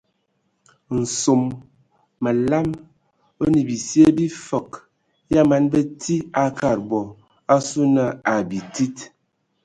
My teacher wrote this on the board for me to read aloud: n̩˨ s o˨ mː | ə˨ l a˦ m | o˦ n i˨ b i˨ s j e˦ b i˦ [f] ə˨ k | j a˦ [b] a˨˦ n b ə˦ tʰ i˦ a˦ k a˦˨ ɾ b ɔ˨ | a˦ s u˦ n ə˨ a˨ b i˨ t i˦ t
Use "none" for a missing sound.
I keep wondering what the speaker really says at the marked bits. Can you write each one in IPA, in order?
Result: f, m

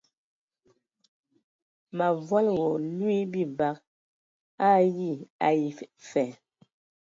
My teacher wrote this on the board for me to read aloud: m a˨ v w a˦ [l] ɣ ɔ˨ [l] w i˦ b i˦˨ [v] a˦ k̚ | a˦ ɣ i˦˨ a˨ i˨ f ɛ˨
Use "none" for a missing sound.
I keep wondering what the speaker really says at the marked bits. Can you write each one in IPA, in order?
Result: l, l, b

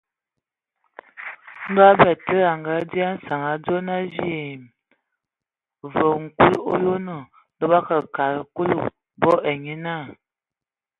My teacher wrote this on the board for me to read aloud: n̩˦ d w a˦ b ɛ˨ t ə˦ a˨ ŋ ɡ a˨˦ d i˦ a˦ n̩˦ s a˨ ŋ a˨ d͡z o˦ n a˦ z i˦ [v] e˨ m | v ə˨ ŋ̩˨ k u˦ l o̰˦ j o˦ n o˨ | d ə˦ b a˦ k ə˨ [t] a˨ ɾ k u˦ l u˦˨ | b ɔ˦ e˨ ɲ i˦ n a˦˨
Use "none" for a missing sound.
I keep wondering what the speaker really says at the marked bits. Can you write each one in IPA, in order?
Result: none, k

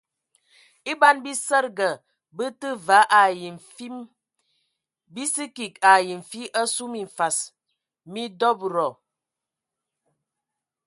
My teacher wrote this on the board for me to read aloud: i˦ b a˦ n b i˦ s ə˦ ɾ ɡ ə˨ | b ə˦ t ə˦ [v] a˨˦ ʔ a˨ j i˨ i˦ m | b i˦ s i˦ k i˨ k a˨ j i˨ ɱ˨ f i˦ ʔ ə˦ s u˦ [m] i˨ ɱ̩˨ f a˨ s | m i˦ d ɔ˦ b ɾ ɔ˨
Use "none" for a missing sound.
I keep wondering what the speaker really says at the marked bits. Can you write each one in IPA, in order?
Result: v, m

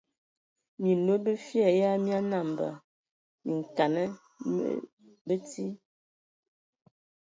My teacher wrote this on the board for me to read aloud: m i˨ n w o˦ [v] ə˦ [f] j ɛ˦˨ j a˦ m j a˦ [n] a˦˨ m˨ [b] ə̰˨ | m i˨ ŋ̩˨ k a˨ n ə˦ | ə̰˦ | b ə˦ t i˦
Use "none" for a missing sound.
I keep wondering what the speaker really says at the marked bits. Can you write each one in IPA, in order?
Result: b, f, n, b

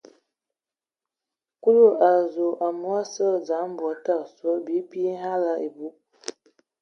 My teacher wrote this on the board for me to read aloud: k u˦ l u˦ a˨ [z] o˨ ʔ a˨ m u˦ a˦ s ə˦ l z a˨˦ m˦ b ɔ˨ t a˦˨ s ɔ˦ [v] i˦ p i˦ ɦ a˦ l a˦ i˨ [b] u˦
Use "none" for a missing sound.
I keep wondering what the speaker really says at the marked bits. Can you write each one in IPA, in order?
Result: z, b, b

